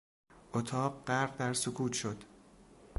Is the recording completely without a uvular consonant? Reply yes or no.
no